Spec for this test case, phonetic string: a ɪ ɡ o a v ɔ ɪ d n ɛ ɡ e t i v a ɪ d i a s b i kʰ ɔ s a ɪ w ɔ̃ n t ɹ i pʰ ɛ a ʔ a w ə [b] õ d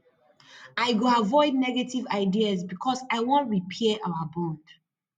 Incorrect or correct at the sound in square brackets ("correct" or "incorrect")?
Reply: correct